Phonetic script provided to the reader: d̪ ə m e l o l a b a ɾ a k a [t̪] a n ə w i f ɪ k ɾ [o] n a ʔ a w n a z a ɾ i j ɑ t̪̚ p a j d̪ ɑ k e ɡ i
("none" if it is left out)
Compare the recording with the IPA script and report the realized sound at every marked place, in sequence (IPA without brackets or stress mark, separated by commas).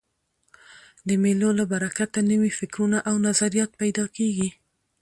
t̪, u